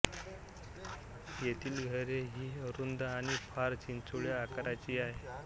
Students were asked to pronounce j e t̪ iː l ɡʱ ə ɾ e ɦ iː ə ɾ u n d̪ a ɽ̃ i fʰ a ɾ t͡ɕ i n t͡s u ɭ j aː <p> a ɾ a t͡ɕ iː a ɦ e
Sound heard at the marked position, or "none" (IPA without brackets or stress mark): k